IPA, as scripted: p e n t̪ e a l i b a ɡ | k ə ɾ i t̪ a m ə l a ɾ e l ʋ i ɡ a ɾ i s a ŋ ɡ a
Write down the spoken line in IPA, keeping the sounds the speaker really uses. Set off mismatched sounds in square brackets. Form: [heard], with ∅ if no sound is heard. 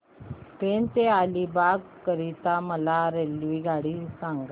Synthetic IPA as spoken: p e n t̪ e a l i b a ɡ | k ə ɾ i t̪ a m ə l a ɾ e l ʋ i ɡ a [ɽ] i s a ŋ ɡ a